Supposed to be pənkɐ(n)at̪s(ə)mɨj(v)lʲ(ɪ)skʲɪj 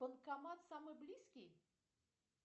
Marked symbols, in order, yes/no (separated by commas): no, no, no, no